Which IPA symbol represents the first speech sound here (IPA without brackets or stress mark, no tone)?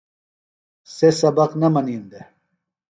s